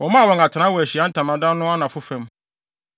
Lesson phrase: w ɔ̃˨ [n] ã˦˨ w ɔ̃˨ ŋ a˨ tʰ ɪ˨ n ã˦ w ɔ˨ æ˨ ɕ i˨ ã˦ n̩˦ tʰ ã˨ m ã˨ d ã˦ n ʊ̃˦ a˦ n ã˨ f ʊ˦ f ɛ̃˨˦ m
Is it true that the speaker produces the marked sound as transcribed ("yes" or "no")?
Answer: no